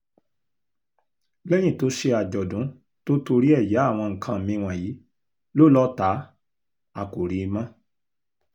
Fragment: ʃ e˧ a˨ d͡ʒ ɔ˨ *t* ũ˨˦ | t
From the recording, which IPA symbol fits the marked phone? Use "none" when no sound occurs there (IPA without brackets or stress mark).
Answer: d